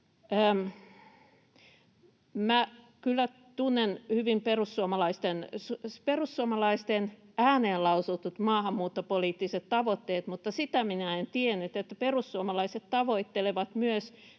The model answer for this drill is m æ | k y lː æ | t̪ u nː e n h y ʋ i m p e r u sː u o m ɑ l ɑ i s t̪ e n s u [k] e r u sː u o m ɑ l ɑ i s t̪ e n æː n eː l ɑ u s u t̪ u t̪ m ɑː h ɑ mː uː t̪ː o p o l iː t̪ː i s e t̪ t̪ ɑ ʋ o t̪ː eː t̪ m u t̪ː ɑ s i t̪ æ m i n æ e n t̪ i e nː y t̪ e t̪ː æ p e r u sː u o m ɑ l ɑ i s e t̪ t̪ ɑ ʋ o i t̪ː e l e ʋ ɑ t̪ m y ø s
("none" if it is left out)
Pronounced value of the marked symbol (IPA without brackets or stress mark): p